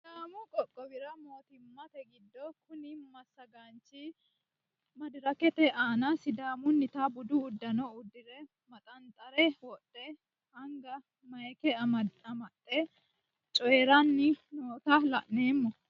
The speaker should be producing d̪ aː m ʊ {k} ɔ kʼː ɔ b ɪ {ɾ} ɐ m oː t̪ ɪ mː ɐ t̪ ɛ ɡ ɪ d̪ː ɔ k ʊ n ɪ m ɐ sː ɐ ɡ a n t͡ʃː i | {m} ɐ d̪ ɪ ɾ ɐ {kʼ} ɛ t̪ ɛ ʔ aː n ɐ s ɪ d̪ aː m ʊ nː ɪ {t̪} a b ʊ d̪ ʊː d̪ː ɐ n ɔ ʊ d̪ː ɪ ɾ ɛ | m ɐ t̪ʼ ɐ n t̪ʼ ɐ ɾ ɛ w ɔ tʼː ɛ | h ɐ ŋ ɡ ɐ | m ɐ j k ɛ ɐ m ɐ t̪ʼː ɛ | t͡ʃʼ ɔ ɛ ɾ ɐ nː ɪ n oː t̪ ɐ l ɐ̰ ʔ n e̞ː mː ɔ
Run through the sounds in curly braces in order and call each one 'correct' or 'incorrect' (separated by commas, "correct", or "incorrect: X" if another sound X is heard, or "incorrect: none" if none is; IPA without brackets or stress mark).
incorrect: kʼ, correct, correct, incorrect: k, correct